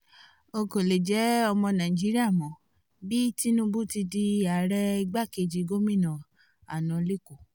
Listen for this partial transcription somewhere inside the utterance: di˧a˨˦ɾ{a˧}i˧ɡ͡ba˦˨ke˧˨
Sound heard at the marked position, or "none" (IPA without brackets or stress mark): ɛ˧